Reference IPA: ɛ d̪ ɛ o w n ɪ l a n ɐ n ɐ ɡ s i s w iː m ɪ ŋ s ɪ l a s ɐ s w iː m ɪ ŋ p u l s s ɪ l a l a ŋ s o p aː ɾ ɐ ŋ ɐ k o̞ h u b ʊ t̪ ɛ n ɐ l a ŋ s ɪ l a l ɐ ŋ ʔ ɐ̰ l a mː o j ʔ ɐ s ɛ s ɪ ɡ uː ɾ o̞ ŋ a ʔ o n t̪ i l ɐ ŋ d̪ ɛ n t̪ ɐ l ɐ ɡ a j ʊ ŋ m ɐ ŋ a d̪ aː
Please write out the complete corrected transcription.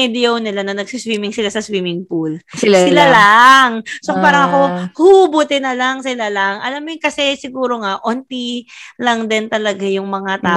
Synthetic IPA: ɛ d̪ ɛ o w n ɪ l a n ɐ n ɐ ɡ s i s w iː m ɪ ŋ s ɪ l a s ɐ s w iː m ɪ ŋ p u l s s ɪ l a l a ŋ s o p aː ɾ ɐ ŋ ɐ k o̞ h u b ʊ t̪ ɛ n ɐ l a ŋ s ɪ l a l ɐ ŋ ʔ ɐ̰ l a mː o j k ɐ s ɛ s ɪ ɡ uː ɾ o̞ ŋ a ʔ o n t̪ i l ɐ ŋ d̪ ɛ n t̪ ɐ l ɐ ɡ a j ʊ ŋ m ɐ ŋ a t̪ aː